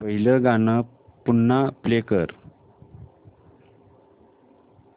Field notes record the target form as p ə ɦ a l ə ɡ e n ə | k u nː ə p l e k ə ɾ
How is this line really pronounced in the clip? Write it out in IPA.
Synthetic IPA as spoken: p ə ɦ i l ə ɡ a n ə | p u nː a p l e k ə ɾ